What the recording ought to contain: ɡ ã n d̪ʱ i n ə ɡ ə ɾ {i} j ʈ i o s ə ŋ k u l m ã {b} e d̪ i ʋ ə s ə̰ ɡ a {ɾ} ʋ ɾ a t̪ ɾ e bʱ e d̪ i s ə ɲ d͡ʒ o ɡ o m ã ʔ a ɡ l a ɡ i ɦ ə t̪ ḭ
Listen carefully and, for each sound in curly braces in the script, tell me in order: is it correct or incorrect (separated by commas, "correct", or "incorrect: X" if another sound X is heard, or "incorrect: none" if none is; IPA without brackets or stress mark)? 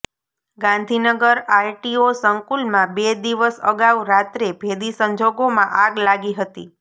incorrect: a, correct, incorrect: none